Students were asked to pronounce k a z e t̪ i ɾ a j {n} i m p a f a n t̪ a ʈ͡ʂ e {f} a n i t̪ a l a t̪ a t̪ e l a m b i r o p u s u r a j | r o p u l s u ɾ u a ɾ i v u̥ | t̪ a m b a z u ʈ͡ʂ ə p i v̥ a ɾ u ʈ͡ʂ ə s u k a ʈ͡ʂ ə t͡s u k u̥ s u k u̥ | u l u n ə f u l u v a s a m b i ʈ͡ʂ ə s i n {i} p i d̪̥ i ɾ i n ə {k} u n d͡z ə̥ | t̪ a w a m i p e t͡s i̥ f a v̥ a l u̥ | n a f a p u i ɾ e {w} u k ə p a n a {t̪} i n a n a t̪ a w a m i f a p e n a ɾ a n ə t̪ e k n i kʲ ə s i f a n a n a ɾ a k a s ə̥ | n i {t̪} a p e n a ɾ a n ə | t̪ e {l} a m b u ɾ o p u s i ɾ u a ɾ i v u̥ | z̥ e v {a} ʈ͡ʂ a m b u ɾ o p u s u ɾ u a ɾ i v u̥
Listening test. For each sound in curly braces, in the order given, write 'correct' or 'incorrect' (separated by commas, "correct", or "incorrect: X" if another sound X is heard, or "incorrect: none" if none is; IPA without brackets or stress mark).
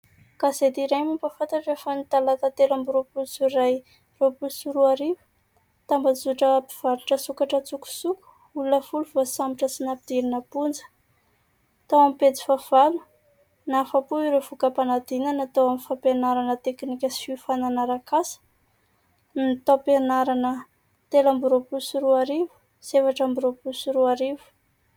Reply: incorrect: m, correct, incorrect: a, incorrect: p, incorrect: v, incorrect: d̪, correct, correct, correct